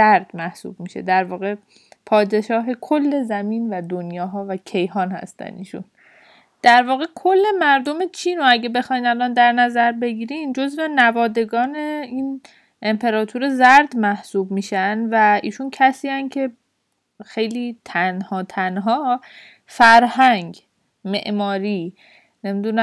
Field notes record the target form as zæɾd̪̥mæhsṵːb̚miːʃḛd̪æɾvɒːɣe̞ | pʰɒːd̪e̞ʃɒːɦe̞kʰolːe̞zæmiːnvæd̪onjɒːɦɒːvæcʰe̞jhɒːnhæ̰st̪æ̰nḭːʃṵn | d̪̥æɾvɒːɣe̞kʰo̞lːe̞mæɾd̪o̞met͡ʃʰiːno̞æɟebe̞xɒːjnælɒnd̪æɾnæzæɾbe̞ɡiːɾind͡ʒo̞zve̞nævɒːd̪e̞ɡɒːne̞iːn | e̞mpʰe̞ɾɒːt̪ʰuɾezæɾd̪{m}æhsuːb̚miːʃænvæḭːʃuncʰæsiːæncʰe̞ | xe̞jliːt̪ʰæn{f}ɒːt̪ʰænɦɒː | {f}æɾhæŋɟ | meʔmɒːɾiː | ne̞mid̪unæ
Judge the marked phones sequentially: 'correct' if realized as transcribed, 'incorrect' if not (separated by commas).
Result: correct, incorrect, correct